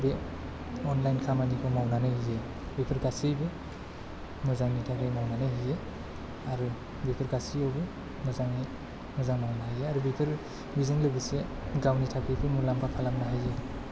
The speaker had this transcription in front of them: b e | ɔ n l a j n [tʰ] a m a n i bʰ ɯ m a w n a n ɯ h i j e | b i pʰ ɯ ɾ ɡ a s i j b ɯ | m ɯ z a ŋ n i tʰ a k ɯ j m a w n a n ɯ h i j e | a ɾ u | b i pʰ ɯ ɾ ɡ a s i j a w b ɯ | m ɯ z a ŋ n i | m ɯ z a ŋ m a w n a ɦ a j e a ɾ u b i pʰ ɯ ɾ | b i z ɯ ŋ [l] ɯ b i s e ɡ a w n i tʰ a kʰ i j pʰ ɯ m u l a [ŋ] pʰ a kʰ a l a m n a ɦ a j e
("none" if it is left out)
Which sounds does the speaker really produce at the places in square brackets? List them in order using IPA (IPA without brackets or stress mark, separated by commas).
kʰ, l, m